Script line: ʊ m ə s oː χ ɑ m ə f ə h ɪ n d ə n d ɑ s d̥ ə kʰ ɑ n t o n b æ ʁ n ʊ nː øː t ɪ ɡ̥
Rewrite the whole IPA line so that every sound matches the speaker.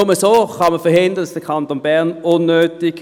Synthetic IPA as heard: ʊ m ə s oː χ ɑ m ə f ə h ɪ n d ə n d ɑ s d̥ ə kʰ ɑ n t o n b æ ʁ n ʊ nː øː t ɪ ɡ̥